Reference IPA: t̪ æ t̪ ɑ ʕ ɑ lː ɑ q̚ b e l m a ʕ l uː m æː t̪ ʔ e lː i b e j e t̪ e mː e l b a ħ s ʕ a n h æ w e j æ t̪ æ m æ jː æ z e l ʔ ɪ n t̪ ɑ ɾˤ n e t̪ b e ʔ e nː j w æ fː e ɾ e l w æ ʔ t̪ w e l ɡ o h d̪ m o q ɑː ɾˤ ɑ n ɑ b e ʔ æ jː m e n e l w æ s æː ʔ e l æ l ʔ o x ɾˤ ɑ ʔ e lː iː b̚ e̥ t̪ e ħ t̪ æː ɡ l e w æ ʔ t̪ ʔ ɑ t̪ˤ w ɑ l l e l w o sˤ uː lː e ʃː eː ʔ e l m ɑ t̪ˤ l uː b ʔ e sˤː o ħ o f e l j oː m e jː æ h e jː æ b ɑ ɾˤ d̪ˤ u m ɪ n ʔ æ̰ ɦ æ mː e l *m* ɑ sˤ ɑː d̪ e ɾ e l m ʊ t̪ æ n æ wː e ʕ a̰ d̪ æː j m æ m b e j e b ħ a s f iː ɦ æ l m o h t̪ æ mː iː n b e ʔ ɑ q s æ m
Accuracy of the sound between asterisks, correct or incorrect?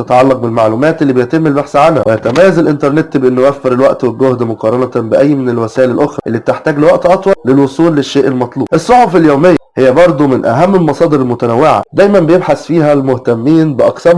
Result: correct